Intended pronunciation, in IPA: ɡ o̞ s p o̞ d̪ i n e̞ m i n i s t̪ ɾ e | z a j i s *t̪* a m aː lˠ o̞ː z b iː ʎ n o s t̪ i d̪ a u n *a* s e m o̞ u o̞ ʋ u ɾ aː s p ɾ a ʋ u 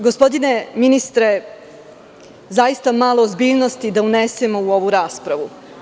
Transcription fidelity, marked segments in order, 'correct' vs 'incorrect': correct, incorrect: e

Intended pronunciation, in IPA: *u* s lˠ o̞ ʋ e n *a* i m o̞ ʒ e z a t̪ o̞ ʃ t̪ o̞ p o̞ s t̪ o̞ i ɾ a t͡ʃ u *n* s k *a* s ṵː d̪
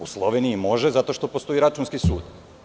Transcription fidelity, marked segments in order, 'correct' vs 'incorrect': correct, incorrect: i, correct, incorrect: i

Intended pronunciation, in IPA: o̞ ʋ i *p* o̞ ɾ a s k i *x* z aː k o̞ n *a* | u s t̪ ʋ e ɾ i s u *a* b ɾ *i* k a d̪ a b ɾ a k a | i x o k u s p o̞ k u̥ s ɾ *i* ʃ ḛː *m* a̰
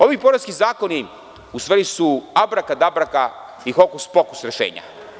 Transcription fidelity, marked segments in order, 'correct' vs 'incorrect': correct, incorrect: none, incorrect: i, correct, incorrect: a, incorrect: e, incorrect: ɲ

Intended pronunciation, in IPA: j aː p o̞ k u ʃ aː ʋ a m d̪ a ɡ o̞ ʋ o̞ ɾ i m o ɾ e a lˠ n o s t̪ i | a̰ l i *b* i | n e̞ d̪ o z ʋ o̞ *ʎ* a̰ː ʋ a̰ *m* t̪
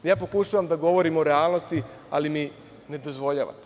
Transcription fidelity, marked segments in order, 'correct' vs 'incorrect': incorrect: m, correct, incorrect: none

